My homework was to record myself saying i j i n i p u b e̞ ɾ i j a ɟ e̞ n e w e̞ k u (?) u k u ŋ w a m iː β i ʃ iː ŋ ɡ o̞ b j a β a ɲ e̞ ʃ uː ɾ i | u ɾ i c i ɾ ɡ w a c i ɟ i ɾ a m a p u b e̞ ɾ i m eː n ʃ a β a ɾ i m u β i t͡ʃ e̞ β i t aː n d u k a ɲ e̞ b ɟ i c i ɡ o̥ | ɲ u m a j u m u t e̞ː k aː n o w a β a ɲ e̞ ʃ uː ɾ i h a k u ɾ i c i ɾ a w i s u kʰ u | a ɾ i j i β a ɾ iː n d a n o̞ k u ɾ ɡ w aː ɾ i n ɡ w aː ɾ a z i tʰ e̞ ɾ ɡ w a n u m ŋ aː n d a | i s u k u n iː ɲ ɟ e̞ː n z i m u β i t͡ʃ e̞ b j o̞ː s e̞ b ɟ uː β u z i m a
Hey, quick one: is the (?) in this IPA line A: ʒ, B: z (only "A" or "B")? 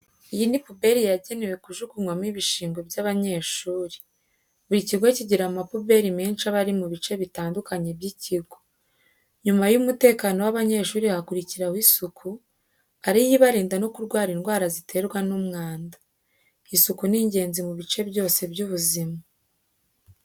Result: A